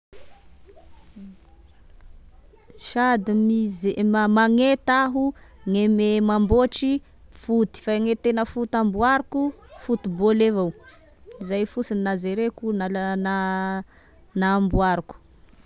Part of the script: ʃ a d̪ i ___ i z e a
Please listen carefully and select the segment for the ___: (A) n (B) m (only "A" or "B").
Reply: B